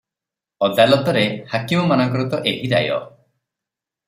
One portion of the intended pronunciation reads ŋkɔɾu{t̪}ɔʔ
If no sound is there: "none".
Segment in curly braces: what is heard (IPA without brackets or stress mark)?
t̪